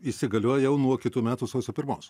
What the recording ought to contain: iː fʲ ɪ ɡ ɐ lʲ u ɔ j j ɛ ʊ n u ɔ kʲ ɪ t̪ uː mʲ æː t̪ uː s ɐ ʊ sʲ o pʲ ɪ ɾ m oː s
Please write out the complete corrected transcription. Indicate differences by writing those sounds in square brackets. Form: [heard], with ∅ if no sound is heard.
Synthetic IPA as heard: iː [sʲ] ɪ ɡ ɐ lʲ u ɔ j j ɛ ʊ n u ɔ kʲ ɪ t̪ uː mʲ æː t̪ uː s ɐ ʊ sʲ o pʲ ɪ ɾ m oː s